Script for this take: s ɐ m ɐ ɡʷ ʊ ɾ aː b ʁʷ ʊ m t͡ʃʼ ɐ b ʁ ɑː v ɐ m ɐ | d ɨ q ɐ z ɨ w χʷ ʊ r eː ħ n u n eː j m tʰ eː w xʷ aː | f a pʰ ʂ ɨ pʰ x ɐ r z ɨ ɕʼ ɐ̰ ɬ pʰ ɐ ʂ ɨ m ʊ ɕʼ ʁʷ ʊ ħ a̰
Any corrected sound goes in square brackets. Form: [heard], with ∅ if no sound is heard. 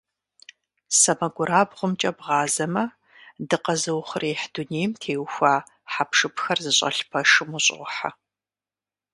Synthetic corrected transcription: s ɐ m ɐ ɡʷ ʊ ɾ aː b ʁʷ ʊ m t͡ʃʼ ɐ b ʁ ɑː [z] ɐ m ɐ | d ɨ q ɐ z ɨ w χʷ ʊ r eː ħ [d] u n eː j m tʰ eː w xʷ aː | [ħ] a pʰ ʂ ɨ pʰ x ɐ r z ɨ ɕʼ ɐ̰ ɬ pʰ ɐ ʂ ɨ m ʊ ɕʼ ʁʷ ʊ ħ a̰